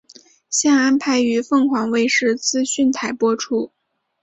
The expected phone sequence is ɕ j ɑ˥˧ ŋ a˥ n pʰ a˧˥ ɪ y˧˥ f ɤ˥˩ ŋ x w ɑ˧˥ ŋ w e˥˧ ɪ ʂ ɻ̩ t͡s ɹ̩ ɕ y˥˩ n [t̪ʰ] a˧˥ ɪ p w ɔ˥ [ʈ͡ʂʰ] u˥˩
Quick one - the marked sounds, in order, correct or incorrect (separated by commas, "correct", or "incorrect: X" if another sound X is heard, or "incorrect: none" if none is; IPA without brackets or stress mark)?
correct, correct